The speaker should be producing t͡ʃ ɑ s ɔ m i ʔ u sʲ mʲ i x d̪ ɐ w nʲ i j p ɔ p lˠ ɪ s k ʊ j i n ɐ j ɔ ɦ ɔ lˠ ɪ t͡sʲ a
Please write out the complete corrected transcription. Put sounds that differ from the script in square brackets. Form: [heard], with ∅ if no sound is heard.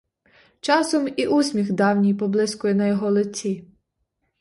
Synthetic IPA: t͡ʃ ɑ s ɔ m i ʔ u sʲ mʲ i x d̪ [ɑ] w nʲ i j p ɔ [b] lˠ ɪ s k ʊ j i n ɐ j ɔ ɦ ɔ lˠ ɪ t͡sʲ [i]